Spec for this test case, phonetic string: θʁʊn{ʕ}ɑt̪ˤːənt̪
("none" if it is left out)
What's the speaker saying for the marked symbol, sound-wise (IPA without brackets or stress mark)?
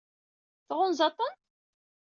z